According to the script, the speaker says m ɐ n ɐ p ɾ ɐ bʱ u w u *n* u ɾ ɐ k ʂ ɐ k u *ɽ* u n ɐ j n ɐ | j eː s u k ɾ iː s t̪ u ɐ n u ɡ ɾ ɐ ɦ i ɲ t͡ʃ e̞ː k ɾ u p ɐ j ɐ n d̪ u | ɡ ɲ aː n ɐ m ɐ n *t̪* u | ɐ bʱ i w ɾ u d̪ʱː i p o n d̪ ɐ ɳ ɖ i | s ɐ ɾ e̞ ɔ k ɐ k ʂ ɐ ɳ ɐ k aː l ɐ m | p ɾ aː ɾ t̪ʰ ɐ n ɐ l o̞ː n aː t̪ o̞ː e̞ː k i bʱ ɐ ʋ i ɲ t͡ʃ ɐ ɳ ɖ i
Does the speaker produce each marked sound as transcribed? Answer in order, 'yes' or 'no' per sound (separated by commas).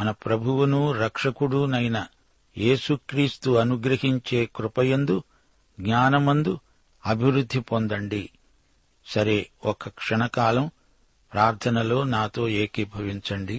yes, yes, no